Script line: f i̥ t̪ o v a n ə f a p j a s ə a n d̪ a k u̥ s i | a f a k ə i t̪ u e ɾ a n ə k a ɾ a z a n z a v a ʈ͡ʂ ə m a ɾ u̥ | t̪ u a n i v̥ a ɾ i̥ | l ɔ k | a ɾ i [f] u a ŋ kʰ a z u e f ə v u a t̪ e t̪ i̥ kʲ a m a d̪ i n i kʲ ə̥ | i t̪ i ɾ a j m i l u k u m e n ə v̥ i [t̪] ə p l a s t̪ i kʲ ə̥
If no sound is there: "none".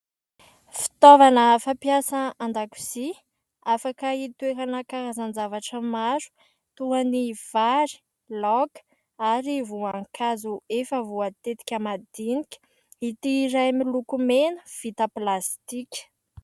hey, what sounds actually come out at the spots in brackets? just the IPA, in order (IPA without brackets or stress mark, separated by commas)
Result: v, t̪